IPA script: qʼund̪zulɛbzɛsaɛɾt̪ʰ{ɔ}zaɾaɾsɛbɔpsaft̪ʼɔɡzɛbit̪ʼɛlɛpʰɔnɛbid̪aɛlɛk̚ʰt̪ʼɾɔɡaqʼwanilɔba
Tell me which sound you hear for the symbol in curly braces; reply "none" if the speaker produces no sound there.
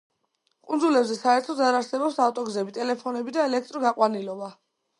ɔ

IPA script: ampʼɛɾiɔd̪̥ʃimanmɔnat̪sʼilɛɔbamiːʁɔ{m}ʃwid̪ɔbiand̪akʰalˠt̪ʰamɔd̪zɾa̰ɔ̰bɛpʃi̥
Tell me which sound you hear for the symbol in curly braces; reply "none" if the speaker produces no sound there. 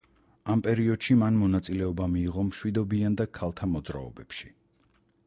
m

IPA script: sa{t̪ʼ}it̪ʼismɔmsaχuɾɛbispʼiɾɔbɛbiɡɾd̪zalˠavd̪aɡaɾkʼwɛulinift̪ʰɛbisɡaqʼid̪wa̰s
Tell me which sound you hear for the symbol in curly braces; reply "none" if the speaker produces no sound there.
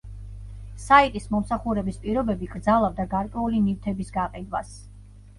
none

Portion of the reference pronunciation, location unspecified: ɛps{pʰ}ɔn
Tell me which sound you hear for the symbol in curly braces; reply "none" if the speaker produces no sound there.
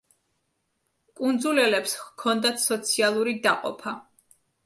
kʰ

